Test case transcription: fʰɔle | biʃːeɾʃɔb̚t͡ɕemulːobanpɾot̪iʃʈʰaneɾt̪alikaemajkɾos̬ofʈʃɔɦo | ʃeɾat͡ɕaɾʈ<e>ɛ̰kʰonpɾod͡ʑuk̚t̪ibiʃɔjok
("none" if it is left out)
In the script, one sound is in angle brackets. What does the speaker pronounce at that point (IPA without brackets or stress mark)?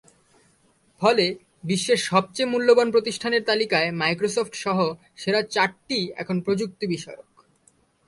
i